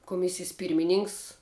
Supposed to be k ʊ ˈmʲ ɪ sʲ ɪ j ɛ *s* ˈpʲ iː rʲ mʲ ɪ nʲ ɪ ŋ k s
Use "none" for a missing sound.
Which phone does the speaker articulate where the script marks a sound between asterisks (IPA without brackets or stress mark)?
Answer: s